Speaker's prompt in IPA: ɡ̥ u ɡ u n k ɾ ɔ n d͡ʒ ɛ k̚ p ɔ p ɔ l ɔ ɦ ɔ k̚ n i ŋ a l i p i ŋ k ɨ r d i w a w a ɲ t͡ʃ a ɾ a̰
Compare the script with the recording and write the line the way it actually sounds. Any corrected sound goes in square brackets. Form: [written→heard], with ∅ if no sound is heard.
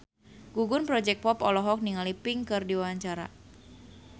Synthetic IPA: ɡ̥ u ɡ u n [k→p] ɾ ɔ [n→∅] d͡ʒ ɛ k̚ p ɔ p ɔ l ɔ ɦ ɔ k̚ n i ŋ a l i p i ŋ k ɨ r d i w a w a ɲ t͡ʃ a ɾ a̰